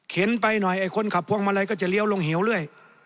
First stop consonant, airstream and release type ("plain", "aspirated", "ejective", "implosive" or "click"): aspirated